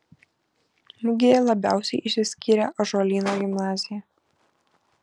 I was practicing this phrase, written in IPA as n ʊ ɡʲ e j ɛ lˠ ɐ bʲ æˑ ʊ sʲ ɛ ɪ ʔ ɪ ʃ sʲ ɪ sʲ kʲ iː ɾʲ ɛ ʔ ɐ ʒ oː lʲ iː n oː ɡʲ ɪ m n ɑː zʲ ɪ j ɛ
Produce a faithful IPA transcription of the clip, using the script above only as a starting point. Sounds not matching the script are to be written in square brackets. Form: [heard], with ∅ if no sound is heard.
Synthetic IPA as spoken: [m] ʊ ɡʲ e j ɛ lˠ ɐ bʲ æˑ ʊ sʲ ɛ ɪ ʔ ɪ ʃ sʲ ɪ sʲ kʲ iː ɾʲ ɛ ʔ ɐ ʒ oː lʲ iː n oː ɡʲ ɪ m n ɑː zʲ ɪ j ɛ